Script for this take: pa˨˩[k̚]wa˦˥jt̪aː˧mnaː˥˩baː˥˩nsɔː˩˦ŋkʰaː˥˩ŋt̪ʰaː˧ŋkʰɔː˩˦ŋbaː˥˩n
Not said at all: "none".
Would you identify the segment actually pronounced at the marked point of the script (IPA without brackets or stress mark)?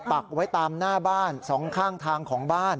k̚